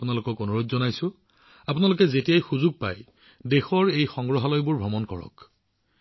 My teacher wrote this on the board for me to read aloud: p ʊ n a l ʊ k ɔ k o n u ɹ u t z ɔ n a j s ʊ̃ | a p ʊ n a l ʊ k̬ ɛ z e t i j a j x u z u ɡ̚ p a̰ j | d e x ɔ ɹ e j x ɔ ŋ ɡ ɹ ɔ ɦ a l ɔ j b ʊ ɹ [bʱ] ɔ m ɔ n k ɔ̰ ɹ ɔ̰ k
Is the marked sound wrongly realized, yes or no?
no